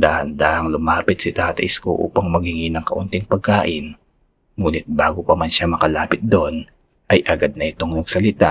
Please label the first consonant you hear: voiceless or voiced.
voiced